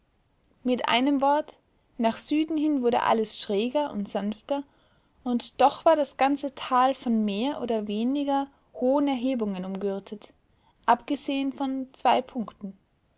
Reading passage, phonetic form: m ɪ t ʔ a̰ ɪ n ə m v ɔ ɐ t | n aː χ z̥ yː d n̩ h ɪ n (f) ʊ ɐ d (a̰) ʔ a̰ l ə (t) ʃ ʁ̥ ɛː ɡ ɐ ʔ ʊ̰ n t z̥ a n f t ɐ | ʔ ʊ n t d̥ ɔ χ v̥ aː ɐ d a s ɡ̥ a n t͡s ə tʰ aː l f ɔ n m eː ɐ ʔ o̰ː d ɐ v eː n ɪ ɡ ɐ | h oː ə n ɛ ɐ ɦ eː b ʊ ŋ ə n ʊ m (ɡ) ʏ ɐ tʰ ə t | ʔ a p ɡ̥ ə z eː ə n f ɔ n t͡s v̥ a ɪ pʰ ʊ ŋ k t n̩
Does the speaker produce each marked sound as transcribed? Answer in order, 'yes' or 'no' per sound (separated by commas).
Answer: no, no, no, yes